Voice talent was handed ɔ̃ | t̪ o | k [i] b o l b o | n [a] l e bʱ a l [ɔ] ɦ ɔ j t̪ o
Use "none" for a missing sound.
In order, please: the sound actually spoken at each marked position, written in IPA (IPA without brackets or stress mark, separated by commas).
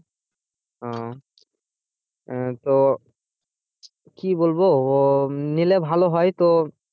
i, i, o